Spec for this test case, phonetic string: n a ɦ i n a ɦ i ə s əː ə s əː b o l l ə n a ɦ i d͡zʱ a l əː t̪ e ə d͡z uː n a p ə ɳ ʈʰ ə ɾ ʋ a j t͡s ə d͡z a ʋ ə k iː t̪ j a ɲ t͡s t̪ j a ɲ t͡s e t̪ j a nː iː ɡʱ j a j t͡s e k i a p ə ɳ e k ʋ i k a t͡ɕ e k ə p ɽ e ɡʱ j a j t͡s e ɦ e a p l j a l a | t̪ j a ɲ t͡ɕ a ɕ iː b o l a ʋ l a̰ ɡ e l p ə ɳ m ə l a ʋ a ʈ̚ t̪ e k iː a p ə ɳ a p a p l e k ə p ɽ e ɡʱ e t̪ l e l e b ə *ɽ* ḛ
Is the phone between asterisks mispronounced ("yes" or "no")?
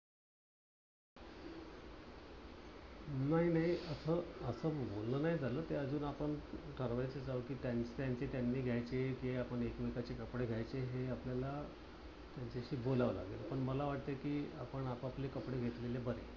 yes